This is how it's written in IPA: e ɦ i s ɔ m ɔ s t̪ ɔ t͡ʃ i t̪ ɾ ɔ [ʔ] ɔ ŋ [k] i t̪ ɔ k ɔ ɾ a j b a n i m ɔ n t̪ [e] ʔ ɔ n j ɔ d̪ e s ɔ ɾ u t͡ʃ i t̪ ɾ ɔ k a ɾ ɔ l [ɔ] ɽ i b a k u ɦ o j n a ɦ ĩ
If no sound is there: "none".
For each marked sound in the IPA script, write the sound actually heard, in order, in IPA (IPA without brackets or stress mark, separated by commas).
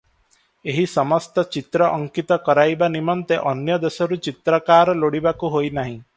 ʔ, k, e, o